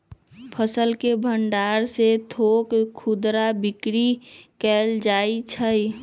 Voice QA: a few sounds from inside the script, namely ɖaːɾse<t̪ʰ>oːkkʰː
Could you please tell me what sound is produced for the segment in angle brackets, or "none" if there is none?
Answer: t̪ʰ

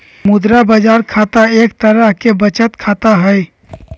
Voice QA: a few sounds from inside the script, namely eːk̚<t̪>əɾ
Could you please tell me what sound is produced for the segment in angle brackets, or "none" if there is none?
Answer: t̪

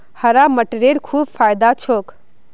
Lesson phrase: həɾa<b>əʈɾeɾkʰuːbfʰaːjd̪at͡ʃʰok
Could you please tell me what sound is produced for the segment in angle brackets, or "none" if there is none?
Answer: m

